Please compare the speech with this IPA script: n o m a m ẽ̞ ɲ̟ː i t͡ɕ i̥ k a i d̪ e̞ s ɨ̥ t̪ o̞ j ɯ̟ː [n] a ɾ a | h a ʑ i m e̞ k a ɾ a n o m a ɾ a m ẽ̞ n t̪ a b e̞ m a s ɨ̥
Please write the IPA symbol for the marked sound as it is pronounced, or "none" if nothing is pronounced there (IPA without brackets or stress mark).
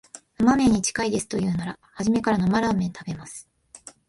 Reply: n